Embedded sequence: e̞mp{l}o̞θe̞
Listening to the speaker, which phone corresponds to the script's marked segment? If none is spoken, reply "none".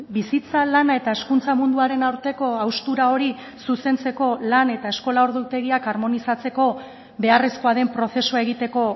ɾ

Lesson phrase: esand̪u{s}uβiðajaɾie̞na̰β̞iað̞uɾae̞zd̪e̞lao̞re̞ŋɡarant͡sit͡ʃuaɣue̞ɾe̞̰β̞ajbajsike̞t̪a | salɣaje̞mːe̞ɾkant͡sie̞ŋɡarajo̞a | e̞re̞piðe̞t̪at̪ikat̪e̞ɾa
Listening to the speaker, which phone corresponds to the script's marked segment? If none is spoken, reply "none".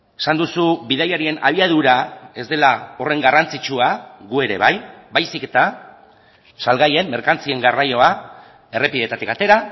s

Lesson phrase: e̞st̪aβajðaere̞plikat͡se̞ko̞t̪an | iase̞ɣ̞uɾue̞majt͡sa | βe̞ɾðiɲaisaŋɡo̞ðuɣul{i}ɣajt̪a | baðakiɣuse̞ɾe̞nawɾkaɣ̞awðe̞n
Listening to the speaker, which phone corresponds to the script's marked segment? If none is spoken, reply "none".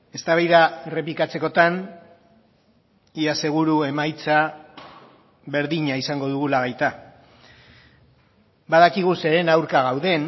a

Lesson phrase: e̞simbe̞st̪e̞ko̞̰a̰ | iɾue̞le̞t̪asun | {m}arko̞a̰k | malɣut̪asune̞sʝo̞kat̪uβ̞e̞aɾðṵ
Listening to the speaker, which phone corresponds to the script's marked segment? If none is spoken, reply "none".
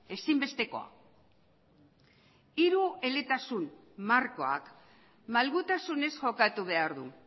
m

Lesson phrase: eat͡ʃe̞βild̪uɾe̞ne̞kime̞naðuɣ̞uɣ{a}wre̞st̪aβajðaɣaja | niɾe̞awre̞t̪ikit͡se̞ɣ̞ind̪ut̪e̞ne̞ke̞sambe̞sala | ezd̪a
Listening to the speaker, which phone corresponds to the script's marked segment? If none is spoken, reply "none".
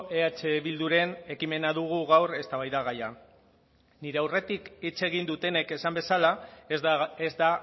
a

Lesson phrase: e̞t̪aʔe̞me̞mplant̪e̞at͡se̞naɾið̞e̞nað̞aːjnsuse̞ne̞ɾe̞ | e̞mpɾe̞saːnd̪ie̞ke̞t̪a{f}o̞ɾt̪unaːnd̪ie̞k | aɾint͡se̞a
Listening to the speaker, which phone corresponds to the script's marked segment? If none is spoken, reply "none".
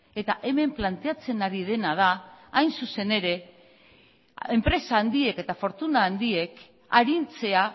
f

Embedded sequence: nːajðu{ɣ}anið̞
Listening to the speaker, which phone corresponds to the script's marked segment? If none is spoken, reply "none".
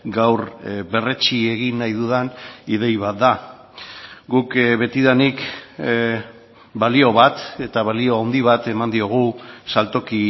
ð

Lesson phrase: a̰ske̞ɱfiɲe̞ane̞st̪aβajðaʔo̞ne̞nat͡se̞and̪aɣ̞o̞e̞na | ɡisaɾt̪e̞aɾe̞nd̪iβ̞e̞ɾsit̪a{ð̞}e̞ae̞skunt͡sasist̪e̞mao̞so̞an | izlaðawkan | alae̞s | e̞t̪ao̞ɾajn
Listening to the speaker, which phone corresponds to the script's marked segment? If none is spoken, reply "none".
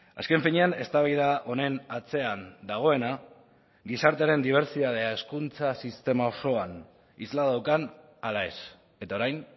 ð̞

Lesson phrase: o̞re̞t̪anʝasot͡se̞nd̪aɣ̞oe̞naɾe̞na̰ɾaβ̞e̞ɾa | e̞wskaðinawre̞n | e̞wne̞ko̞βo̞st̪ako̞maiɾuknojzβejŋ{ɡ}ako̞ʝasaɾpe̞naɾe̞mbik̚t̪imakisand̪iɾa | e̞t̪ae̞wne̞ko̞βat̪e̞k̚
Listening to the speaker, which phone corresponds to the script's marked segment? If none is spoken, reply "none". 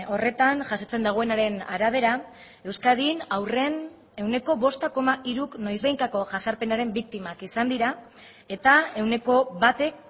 k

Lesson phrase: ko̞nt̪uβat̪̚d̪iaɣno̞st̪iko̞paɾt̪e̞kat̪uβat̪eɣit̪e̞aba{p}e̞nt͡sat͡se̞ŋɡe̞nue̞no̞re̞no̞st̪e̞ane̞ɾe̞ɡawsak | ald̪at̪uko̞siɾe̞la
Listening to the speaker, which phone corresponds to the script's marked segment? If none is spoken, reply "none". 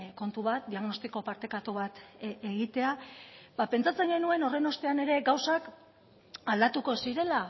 p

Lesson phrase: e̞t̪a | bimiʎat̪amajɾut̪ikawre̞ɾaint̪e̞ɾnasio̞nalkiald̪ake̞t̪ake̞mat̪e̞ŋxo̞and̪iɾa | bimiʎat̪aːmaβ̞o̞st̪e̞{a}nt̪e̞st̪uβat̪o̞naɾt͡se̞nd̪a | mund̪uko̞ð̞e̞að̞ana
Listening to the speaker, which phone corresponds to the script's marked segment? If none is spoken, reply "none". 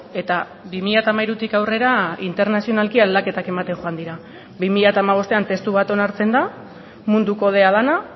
a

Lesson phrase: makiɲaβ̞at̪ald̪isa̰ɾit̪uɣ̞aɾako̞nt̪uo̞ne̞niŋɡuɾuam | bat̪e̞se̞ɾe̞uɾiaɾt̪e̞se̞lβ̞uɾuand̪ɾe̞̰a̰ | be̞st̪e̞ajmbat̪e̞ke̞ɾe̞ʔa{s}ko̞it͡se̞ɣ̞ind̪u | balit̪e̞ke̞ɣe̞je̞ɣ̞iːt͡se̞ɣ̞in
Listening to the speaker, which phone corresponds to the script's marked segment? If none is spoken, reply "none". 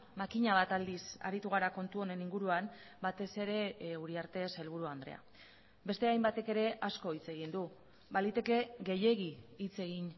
s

